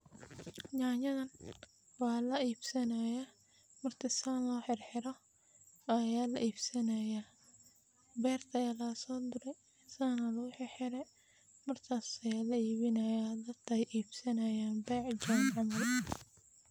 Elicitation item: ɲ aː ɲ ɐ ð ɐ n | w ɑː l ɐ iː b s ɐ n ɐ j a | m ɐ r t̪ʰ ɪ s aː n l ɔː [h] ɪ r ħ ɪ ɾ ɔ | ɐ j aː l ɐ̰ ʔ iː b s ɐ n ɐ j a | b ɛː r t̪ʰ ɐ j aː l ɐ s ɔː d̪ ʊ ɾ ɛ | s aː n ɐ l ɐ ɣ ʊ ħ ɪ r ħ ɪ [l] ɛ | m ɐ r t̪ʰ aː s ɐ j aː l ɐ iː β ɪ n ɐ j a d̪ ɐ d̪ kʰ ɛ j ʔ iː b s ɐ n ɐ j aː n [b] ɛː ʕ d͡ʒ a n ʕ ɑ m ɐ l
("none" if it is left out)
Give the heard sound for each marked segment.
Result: ħ, ɾ, b

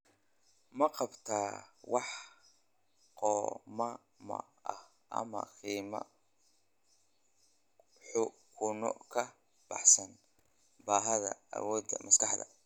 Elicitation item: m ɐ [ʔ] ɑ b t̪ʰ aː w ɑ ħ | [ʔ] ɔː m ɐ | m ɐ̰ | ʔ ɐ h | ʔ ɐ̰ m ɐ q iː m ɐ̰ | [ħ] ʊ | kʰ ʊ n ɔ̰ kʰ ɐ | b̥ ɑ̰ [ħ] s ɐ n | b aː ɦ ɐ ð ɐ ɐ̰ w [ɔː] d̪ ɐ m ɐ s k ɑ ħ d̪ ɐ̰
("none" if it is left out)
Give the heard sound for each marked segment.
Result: q, q, ħ, ħ, ɔː

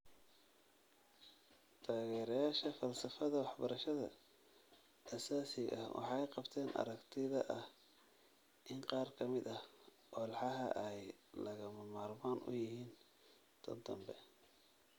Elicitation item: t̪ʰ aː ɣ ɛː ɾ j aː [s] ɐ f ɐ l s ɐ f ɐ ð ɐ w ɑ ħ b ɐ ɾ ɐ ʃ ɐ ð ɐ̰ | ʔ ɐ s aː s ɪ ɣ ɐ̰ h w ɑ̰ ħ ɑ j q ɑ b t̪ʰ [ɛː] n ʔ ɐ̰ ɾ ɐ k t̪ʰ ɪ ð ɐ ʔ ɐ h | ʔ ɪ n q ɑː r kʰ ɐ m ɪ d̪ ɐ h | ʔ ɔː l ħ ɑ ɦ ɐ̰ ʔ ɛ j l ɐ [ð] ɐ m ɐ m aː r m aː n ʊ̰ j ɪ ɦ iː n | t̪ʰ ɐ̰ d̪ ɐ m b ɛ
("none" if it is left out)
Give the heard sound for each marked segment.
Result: ʃ, ɛː, ɣ

